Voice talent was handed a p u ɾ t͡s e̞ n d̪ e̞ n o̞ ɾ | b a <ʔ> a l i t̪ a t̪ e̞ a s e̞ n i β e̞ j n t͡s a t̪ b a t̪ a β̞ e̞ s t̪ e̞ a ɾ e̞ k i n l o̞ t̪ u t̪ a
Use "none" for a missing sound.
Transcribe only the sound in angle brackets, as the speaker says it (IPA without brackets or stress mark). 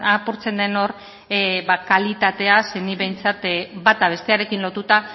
k